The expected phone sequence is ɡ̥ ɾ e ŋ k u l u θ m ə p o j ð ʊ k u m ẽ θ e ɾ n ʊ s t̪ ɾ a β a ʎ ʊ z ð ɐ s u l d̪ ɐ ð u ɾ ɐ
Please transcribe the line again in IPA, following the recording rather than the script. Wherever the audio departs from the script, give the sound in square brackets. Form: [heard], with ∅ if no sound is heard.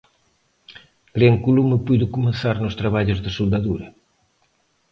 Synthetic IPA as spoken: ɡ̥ ɾ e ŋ k u l u [∅] m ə p [u] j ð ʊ k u m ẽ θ [a] ɾ n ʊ s t̪ ɾ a β a ʎ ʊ z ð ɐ s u l d̪ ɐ ð u ɾ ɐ